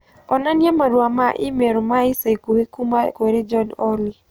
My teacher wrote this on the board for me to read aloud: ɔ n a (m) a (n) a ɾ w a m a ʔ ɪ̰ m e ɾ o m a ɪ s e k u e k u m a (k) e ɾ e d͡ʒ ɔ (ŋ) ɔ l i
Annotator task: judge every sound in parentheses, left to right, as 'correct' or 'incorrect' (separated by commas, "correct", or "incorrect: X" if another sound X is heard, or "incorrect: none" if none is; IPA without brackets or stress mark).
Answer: incorrect: n, incorrect: m, correct, incorrect: n